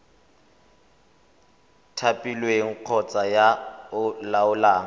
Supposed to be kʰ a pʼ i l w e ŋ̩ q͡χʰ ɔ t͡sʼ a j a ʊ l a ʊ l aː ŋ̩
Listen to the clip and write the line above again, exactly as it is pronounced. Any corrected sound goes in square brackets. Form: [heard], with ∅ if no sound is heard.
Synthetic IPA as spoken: [tʰ] a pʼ i l w e ŋ̩ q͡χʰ ɔ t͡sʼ a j a ʊ l a ʊ l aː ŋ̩